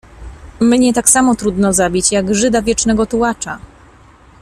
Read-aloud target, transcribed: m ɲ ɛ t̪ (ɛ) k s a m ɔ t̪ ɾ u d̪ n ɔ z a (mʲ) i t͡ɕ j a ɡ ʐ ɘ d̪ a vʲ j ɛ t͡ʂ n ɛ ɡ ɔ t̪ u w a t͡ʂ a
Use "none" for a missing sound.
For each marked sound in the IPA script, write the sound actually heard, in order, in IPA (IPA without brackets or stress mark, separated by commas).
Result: a, bʲ